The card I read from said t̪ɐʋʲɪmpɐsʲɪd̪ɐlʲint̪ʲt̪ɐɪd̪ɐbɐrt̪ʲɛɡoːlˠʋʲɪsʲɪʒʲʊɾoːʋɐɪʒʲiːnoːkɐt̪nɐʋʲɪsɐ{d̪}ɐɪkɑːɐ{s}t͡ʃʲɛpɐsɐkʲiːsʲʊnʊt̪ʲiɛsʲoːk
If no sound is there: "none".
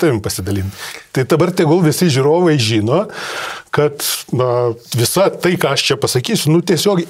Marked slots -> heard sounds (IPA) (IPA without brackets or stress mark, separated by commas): t̪, ʃ